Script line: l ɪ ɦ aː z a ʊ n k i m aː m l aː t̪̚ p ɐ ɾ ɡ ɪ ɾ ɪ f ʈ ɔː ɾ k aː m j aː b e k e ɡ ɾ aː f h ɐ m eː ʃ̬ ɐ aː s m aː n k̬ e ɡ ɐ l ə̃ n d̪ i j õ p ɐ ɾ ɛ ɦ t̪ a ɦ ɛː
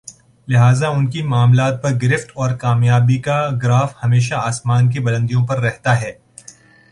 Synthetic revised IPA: l ɪ ɦ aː z a ʊ n k i m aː m l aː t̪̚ p ɐ ɾ ɡ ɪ ɾ ɪ f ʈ ɔː ɾ k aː m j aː b i k a ɡ ɾ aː f h ɐ m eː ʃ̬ a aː s m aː n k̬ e b ɐ l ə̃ n d̪ i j õ p ɐ ɾː ɛ ɦ t̪ a ɦ ɛː